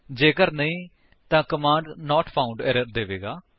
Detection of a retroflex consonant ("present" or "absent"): present